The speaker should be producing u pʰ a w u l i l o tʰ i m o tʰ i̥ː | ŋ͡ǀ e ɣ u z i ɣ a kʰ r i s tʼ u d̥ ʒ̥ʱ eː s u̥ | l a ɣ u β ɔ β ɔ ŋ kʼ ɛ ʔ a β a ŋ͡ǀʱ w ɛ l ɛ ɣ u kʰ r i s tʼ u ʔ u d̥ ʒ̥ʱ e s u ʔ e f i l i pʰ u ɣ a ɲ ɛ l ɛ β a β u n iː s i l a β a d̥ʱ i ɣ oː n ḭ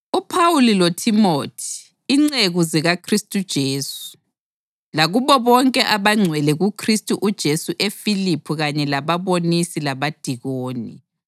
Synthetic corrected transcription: u pʰ a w u l i l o tʰ i m o tʰ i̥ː | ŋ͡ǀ e ɣ u z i ɣ a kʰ r i s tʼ u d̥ ʒ̥ʱ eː s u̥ | l a ɣ u β ɔ β ɔ ŋ kʼ ɛ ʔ a β a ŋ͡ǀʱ w ɛ l ɛ ɣ u kʰ r i s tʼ u ʔ u d̥ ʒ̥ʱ e s u ʔ e f i l i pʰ u ɣ a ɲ ɛ l a β a β o n i s i l a β a d̥ʱ i ɣ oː n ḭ